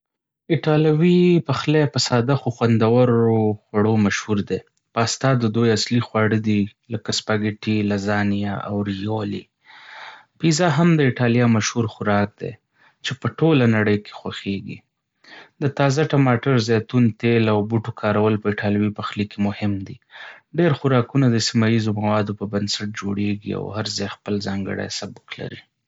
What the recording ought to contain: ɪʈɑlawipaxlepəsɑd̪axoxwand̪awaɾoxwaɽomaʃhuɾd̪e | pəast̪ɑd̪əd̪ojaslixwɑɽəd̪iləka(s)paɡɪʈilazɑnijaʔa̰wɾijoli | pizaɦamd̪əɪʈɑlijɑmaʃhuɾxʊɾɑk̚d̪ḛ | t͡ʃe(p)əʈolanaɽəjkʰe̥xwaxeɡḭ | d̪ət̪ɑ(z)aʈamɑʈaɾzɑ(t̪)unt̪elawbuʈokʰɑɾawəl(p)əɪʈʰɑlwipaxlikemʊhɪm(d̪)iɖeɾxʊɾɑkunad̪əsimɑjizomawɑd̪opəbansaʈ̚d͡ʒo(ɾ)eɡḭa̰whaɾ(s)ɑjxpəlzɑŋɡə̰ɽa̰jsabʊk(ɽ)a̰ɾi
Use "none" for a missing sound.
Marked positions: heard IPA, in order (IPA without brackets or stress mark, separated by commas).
s, p, z, t̪, p, d̪, ɽ, z, l